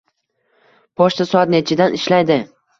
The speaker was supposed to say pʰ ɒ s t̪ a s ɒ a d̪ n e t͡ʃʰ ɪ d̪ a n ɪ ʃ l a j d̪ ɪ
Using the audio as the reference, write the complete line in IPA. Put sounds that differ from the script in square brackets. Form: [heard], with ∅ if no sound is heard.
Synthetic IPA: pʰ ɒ [ʃ] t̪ a s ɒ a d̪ n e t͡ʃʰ ɪ d̪ a n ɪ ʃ l a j d̪ ɪ